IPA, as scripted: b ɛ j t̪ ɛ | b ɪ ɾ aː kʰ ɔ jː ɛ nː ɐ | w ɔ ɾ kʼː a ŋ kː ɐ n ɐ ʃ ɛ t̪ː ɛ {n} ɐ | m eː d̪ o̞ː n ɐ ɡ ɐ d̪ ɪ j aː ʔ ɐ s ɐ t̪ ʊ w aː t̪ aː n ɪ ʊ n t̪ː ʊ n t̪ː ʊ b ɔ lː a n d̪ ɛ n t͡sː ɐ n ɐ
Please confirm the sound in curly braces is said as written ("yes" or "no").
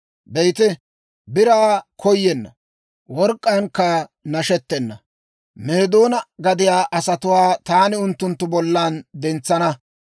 no